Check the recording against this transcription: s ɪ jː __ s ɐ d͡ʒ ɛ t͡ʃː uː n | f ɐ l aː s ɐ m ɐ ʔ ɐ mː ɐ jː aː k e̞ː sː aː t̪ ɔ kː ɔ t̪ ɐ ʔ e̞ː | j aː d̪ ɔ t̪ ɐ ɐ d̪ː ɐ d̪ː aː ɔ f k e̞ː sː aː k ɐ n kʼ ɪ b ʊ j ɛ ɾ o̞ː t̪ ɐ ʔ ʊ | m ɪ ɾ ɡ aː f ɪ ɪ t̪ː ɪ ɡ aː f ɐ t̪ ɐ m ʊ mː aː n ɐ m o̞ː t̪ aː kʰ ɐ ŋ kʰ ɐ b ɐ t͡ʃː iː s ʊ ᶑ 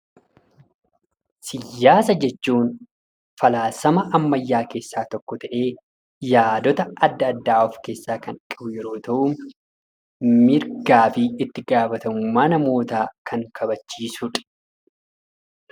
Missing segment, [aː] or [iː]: aː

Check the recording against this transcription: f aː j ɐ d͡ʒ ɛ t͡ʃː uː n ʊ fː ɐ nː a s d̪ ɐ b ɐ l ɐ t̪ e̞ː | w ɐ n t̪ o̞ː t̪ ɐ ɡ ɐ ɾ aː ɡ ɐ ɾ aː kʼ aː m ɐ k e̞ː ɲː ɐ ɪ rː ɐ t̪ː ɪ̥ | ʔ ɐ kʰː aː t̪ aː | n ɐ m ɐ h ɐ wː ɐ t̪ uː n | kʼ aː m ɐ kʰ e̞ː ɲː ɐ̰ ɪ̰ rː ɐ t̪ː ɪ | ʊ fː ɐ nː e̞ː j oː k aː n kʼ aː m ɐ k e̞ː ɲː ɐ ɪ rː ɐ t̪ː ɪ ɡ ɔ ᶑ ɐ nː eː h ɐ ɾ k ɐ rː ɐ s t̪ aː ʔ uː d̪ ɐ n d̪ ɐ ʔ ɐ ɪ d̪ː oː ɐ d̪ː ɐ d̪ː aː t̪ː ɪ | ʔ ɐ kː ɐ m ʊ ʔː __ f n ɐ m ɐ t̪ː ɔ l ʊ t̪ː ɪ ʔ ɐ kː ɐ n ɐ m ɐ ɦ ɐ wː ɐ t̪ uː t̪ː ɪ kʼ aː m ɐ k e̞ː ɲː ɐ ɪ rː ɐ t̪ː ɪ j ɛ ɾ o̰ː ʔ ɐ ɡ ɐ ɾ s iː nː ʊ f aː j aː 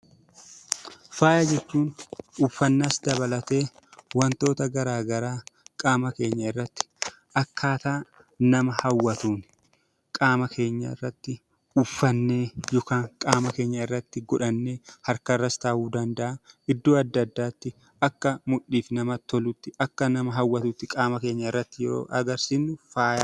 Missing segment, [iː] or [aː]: iː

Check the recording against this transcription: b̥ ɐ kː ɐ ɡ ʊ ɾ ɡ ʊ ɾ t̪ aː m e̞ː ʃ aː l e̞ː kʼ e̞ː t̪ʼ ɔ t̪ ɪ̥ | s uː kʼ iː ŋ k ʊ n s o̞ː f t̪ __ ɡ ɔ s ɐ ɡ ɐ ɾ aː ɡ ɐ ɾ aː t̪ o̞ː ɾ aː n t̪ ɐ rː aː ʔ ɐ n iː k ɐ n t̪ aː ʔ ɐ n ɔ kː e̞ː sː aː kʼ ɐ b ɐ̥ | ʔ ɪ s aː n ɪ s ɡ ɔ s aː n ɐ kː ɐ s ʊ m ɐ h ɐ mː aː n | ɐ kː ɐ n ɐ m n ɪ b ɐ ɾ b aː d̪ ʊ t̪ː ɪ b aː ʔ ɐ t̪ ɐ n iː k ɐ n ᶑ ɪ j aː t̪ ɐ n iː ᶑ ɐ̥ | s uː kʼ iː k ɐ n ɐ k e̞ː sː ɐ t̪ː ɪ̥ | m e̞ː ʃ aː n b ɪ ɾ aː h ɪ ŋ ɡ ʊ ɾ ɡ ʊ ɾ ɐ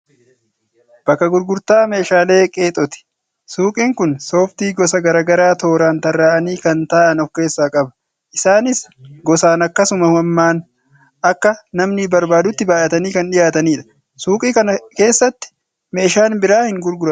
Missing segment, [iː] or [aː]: iː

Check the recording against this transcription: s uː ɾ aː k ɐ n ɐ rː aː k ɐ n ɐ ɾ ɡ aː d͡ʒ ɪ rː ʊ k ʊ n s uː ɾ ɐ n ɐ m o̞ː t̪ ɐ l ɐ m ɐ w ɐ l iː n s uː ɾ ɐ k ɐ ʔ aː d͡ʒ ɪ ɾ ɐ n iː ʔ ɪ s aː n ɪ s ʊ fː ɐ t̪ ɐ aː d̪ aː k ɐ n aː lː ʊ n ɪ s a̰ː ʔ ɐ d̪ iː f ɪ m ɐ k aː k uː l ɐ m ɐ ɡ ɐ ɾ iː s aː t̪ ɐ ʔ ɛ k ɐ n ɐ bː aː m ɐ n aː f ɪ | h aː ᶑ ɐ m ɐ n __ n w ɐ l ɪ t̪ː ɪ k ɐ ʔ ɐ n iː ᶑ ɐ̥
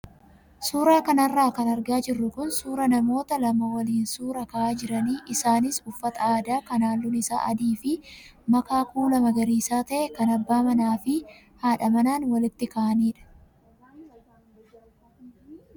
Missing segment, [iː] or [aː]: aː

